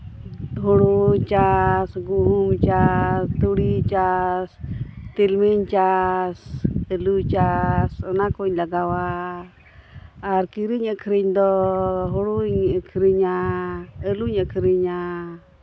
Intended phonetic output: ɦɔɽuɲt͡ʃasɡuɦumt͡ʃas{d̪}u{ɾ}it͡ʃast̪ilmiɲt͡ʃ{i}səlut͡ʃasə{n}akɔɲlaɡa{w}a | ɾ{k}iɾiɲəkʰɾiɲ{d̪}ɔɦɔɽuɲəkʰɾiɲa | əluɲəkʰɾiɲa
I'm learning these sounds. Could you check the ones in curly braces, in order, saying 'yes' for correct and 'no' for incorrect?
no, no, no, yes, yes, yes, yes

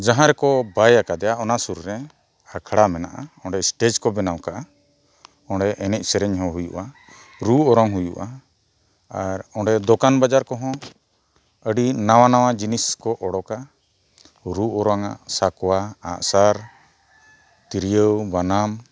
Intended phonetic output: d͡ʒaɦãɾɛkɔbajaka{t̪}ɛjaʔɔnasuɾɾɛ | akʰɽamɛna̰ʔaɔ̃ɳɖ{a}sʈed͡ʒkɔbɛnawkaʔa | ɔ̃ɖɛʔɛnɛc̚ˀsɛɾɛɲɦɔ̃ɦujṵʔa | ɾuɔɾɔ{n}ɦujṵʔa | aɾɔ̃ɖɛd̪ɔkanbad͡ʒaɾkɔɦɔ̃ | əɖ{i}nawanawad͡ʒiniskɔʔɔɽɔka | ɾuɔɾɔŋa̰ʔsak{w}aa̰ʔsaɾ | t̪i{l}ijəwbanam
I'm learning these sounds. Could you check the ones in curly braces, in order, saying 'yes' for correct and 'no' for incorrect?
no, no, no, yes, yes, no

